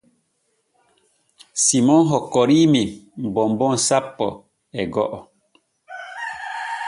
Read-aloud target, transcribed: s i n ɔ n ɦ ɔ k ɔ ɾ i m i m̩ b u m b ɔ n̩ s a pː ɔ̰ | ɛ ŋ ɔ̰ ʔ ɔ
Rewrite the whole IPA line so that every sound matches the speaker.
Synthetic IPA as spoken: s i m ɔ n ɦ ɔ k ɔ ɾ i m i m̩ b ɔ m b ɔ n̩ s a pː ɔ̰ | ɛ ɡ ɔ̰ ʔ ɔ